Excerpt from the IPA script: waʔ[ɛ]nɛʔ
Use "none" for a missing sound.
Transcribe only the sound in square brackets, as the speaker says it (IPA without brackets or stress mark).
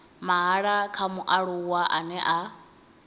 a